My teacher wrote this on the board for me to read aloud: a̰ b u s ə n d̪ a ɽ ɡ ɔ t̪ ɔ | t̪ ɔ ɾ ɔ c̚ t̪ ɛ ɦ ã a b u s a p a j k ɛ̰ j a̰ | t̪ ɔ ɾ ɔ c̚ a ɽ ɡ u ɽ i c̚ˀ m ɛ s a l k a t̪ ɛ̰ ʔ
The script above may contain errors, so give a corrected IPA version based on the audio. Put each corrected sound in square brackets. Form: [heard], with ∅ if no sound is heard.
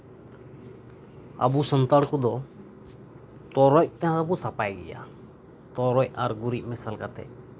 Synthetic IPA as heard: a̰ b u s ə n [t̪] a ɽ [k] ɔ [d̪] ɔ | t̪ ɔ ɾ ɔ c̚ t̪ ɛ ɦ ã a b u s a p a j [ɡ] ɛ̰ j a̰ | t̪ ɔ ɾ ɔ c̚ a [ɾ] ɡ u [ɾ] i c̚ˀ m ɛ s a l k a t̪ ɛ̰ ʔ

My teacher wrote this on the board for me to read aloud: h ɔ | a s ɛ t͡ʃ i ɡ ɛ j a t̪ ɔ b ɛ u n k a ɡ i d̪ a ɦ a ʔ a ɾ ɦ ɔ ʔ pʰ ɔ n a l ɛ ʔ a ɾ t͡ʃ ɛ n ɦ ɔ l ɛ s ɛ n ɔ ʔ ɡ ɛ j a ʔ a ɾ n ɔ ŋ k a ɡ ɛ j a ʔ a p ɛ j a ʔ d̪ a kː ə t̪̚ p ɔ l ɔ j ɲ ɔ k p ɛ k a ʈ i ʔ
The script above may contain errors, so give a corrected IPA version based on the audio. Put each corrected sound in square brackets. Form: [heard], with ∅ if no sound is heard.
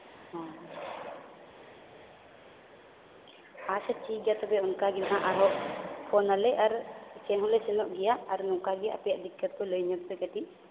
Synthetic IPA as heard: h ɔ | a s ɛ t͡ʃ i ɡ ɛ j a t̪ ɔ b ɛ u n k a ɡ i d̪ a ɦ a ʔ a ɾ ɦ ɔ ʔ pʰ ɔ n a l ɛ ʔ a ɾ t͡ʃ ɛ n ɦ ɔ l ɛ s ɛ n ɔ ʔ ɡ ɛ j a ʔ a ɾ n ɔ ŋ k a ɡ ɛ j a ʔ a p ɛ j a ʔ d̪ [i] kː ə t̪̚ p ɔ l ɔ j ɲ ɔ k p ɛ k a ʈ i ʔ

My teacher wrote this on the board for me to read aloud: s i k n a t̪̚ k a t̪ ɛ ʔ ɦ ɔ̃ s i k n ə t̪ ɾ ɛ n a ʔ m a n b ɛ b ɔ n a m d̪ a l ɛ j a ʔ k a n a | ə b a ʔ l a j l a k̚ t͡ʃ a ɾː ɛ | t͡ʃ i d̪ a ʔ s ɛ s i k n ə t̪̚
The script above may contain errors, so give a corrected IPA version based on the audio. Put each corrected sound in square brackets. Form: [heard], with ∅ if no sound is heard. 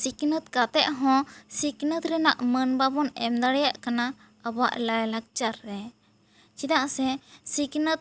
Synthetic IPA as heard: s i k n [ə] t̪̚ k a t̪ ɛ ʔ ɦ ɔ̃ s i k n ə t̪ ɾ ɛ n a ʔ m [ə] n b [a] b ɔ n [ɛ] m d̪ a [ɽ] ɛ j a ʔ k a n a | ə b a ʔ l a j l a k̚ t͡ʃ a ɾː ɛ | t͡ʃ i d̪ a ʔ s ɛ s i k n ə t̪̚

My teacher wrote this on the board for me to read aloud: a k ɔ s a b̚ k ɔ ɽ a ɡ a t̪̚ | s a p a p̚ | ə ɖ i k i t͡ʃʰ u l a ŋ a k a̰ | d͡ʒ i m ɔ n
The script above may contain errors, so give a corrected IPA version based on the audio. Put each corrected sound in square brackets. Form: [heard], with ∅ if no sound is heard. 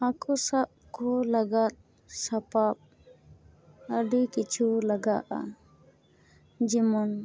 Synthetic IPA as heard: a k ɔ s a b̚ k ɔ [l] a ɡ a t̪̚ | s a p a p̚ | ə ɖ i k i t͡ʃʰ u l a [ɡ] a [ʔ] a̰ | d͡ʒ i m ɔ n

